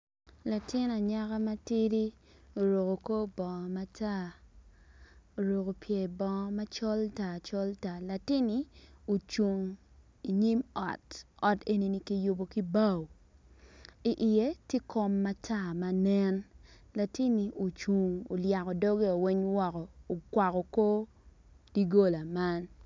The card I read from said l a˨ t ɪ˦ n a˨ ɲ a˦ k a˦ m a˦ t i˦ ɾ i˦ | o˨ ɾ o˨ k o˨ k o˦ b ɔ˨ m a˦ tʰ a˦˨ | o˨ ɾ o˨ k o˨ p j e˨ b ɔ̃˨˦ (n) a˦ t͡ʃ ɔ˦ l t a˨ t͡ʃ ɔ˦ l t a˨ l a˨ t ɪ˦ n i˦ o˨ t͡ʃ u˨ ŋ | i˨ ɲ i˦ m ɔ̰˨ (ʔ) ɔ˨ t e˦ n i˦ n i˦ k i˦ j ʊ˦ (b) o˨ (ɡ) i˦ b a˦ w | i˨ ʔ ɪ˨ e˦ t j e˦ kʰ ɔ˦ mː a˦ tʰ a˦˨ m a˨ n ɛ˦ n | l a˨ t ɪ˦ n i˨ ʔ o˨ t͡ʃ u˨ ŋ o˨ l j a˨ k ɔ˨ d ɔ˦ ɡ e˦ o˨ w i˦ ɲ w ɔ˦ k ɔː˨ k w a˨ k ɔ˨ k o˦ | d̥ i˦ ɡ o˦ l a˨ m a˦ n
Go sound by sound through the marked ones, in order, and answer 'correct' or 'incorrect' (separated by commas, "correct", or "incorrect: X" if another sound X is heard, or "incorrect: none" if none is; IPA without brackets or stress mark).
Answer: incorrect: m, incorrect: t, correct, incorrect: k